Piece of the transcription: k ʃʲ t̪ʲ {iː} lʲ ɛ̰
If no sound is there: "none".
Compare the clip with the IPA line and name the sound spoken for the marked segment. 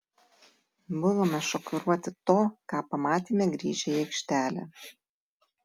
æː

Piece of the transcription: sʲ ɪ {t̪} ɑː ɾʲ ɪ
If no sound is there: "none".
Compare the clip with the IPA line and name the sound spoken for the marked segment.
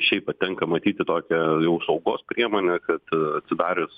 d̪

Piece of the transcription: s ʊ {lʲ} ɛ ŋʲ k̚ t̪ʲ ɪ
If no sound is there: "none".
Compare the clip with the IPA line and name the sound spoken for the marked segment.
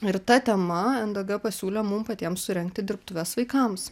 ɾʲ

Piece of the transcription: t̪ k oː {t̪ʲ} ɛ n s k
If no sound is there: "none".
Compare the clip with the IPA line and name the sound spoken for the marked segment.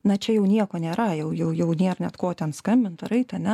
t̪ʲ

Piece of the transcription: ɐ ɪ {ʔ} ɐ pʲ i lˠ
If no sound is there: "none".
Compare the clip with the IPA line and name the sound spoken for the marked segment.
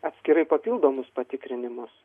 p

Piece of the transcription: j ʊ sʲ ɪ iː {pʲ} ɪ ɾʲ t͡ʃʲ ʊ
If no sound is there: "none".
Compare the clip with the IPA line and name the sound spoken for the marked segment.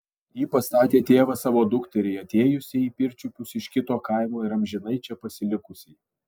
pʲ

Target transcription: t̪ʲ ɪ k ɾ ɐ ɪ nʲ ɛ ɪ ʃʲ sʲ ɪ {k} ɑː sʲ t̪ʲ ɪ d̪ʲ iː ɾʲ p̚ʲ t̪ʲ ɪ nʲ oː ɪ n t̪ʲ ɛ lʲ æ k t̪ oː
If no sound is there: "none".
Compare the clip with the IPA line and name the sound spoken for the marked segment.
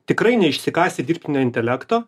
k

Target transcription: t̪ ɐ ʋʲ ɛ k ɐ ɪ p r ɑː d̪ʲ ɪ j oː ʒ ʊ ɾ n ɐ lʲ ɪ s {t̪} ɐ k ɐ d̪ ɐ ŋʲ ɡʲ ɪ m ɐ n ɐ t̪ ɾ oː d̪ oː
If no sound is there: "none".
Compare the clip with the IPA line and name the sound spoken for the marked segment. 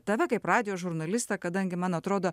t̪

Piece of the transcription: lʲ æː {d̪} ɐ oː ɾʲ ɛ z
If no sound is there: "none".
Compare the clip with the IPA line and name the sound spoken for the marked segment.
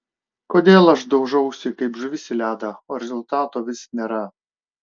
d̪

